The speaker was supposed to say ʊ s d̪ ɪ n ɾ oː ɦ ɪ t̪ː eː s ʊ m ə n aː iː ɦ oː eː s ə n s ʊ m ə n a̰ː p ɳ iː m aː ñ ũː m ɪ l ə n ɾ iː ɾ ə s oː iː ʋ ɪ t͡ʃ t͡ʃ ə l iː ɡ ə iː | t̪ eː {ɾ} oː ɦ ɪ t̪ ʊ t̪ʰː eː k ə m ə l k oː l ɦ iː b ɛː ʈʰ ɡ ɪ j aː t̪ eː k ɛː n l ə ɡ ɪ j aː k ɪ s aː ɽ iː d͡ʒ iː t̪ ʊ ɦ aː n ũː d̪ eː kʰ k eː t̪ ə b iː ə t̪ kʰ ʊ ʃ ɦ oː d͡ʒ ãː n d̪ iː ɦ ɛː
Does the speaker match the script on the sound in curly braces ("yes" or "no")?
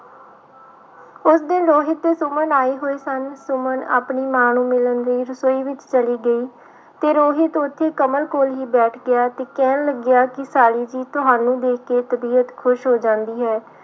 yes